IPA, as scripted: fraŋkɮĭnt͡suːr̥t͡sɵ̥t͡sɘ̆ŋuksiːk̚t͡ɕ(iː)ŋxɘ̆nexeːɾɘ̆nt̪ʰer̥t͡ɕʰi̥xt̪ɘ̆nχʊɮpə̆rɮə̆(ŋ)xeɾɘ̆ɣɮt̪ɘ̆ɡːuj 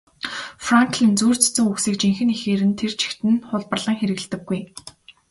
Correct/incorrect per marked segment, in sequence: incorrect: i, correct

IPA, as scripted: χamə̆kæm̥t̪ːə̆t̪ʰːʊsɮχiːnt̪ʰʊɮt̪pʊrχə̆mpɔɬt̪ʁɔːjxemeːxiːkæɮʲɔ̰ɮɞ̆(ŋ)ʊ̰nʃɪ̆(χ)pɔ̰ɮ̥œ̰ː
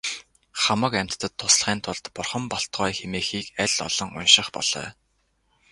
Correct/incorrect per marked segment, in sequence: correct, correct

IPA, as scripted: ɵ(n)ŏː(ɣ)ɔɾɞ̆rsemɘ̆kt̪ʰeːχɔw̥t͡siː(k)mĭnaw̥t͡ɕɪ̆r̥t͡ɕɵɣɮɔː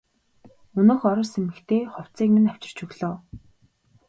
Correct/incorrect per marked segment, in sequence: correct, incorrect: x, correct

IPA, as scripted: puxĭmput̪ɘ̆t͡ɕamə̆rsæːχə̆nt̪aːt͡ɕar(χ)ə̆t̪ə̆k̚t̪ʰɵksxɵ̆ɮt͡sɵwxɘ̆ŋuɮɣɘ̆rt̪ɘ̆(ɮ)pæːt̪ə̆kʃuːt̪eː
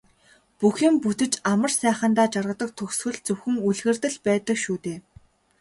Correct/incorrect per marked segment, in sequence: incorrect: ʁ, correct

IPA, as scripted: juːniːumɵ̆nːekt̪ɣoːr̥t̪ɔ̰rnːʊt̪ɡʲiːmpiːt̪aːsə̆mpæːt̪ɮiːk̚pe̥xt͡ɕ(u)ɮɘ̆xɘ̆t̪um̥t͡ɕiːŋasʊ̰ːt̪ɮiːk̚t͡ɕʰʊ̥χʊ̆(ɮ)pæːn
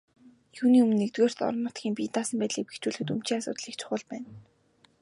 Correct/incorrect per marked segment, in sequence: incorrect: uː, correct

